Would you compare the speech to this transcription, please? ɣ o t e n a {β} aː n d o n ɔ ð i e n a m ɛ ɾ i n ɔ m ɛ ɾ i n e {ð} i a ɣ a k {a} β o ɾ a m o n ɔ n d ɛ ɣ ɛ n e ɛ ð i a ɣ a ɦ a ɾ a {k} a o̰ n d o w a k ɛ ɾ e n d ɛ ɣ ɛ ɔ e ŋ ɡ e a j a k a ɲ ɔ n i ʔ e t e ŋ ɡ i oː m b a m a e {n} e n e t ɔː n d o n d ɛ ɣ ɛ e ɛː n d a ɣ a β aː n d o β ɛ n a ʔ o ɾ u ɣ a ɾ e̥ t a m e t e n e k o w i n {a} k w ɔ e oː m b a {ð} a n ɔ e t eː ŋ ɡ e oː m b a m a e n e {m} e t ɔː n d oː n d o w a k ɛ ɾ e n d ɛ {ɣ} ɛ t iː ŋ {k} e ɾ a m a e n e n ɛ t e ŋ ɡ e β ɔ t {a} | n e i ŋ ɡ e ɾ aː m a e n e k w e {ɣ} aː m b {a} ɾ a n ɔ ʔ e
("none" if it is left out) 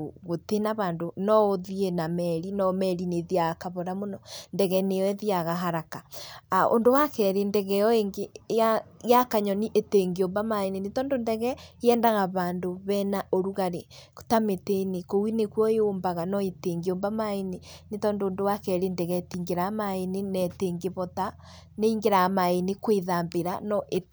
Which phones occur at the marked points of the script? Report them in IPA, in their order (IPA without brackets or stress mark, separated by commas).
β, ð, a, k, n, e, ɣ, n, ɣ, ɡ, a, ð, e